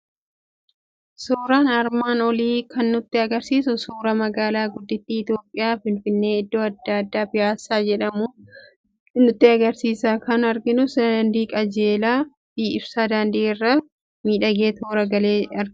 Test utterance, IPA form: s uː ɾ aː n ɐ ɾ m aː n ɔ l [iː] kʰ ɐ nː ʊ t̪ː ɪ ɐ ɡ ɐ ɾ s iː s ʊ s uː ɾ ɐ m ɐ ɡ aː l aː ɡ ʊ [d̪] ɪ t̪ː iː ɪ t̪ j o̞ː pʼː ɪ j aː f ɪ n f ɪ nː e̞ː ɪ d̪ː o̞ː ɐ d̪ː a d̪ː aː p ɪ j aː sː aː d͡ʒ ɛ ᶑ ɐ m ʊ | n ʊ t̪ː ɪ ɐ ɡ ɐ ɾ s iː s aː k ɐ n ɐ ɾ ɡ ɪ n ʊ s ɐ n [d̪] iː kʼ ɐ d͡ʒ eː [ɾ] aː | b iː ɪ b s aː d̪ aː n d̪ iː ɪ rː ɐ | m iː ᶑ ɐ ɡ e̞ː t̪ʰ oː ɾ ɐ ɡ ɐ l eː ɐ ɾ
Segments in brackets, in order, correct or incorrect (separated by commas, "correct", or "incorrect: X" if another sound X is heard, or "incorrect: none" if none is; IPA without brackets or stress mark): correct, incorrect: d̪ː, correct, incorrect: l